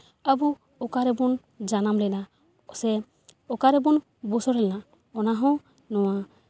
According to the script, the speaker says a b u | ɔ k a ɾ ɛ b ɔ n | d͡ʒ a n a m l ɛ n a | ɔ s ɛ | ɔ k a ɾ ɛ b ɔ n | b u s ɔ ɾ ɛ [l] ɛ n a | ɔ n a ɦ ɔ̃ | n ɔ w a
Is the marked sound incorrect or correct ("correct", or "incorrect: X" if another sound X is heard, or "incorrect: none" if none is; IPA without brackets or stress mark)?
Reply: correct